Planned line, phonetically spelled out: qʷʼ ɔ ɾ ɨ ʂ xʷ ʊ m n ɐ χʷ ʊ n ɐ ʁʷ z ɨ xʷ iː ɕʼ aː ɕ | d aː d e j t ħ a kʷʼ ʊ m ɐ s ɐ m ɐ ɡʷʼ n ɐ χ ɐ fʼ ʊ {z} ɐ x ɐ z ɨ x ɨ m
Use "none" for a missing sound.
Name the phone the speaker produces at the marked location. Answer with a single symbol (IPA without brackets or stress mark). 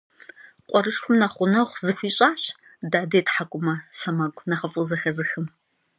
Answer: z